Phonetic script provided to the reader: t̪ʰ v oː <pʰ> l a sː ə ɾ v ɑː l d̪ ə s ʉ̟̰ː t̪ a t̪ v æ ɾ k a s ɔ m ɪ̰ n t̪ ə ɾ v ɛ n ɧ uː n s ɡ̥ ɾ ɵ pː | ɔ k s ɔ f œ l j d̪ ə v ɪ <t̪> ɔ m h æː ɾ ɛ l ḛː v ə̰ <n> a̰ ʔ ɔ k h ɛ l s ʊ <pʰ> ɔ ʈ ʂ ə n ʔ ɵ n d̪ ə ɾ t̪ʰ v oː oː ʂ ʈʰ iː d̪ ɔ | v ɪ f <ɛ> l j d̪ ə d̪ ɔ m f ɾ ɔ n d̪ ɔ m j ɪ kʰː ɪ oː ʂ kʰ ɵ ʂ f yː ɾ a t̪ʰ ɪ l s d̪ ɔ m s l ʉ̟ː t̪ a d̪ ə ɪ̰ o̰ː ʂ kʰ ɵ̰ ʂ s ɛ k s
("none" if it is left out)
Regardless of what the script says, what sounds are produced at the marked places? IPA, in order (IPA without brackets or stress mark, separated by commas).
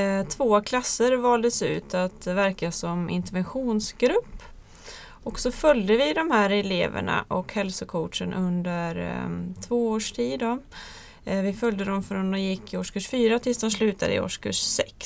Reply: kʰ, d̪, ɳ, kʰ, œ